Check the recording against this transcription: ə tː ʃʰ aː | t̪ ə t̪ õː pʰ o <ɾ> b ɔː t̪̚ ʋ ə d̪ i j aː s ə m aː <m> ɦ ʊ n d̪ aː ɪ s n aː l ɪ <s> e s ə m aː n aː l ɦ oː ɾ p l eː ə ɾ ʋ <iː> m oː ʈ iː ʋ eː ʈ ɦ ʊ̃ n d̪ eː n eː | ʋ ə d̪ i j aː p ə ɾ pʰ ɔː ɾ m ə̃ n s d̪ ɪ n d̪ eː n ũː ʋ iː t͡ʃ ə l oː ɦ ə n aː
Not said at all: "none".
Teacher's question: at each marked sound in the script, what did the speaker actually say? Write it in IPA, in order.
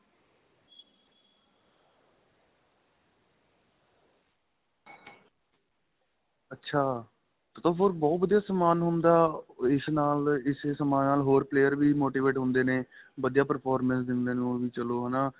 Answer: ɾ, n, s, iː

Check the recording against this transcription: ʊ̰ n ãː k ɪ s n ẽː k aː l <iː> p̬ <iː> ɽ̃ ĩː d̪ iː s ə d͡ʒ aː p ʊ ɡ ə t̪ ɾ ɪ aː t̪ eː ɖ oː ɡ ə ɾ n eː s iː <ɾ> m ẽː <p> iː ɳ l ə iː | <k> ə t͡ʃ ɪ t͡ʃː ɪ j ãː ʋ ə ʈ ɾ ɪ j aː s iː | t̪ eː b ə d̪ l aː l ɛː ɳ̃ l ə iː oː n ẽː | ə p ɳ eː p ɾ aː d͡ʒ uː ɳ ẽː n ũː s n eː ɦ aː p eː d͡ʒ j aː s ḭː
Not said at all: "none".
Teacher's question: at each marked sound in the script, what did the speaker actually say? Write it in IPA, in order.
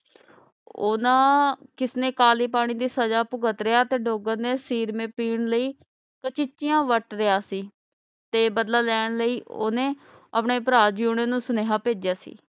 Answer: iː, aː, ɾ, p, k

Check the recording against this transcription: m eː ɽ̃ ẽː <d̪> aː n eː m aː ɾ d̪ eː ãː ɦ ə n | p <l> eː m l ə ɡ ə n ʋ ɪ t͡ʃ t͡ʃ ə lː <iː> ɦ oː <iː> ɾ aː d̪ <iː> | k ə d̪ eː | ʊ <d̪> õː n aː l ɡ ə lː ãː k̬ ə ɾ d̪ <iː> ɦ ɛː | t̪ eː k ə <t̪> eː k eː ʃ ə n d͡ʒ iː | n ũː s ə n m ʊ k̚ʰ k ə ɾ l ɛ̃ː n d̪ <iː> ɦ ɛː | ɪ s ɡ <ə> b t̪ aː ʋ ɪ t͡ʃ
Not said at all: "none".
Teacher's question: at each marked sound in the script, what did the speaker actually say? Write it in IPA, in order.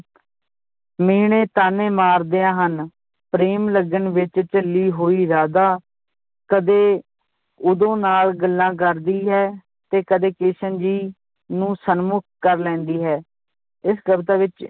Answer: t̪, ɾ, iː, iː, aː, d̪, iː, d̪, iː, ə

